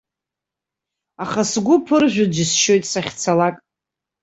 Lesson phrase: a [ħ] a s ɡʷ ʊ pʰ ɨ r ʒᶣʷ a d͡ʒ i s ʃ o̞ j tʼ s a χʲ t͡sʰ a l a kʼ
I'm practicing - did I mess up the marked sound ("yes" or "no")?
yes